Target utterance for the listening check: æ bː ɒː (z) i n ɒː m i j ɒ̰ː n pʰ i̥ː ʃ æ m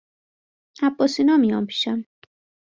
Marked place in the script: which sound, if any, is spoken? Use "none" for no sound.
s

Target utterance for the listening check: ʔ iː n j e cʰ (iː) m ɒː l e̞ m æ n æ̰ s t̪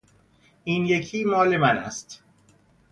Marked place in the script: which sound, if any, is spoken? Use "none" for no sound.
iː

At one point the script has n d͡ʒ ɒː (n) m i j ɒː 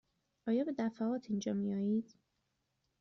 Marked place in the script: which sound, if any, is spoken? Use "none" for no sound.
none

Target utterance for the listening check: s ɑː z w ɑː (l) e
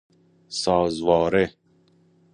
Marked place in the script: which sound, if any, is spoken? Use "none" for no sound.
ɾ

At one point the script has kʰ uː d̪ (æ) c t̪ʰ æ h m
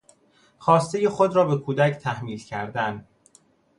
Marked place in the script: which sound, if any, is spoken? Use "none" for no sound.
æ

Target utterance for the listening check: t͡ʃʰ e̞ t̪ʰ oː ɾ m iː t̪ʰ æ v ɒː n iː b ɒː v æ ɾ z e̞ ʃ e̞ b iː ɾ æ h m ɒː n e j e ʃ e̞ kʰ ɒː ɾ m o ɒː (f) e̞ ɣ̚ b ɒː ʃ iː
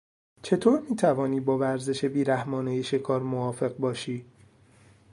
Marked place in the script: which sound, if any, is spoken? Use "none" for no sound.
f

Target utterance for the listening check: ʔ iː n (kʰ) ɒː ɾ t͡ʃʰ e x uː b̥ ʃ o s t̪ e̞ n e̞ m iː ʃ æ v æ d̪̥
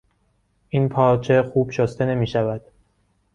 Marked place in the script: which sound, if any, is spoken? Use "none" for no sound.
pʰ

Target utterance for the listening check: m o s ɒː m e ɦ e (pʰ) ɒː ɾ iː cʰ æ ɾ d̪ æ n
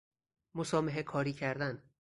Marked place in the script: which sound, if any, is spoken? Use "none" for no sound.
kʰ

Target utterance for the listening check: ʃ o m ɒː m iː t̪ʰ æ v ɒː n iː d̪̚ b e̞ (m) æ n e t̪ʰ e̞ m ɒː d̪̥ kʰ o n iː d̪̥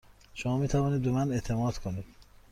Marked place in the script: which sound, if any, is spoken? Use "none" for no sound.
m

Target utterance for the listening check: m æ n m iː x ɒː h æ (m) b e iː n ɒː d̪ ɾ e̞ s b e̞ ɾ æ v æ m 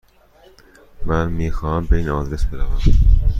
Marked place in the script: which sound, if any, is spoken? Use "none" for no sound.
m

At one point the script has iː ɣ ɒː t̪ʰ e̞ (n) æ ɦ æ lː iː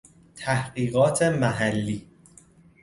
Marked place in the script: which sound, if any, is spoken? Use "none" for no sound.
m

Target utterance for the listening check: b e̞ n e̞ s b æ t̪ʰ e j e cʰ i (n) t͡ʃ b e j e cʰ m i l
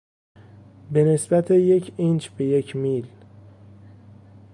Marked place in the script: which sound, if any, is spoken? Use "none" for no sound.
n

